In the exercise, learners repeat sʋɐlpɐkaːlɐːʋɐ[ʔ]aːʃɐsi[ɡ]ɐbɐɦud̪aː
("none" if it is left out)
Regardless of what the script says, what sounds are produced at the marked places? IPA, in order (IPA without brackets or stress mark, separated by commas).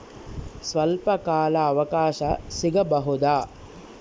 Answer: k, ɡ